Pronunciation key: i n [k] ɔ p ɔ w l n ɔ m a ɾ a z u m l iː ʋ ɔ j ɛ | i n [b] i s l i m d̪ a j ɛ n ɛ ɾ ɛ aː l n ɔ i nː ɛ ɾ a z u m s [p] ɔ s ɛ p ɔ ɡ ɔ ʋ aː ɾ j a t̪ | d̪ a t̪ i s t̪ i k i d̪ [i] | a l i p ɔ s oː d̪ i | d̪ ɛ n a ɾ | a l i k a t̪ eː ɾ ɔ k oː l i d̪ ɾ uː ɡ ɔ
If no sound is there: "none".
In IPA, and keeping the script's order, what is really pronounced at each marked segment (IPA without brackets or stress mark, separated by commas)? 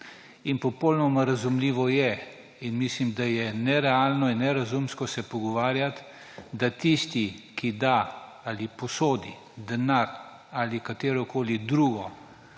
p, m, k, a